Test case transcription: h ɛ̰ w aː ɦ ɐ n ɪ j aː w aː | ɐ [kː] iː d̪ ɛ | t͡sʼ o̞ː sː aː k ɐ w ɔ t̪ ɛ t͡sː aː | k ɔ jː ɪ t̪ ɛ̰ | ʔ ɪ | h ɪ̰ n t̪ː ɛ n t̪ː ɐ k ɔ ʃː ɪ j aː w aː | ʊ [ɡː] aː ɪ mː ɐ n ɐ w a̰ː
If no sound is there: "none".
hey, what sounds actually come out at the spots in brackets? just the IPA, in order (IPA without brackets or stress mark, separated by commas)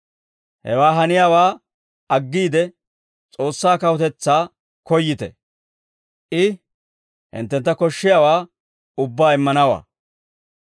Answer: ɡː, bː